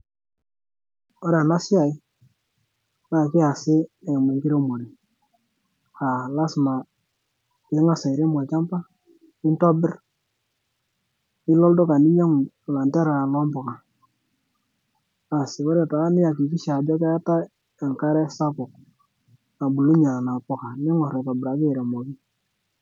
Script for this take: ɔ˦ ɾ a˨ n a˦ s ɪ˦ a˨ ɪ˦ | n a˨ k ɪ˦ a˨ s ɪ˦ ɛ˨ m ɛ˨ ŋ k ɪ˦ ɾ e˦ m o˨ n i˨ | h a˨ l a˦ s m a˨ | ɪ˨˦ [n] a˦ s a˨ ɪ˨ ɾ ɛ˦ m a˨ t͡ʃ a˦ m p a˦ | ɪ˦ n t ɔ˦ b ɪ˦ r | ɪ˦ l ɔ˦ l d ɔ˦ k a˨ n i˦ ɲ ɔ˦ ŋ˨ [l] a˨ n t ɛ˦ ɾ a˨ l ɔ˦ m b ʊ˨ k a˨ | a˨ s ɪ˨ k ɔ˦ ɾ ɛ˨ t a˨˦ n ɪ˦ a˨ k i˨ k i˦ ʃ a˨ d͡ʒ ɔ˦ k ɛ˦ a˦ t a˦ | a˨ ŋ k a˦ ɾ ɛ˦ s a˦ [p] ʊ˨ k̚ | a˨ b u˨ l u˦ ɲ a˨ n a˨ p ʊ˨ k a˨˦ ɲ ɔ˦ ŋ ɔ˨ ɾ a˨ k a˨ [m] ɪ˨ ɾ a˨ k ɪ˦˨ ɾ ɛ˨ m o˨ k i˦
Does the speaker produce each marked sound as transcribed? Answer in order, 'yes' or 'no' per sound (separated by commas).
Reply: no, yes, no, no